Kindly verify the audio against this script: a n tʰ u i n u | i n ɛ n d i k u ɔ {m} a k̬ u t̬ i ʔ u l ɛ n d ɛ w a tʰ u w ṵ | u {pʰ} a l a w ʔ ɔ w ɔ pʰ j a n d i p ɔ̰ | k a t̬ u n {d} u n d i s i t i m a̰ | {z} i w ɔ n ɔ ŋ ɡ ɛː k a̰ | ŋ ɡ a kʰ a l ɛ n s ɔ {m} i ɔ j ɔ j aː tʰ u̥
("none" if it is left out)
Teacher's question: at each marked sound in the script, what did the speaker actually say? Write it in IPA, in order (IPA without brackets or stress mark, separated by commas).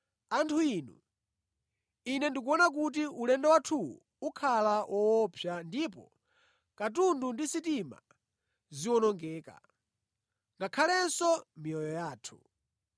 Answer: n, kʰ, d, z, m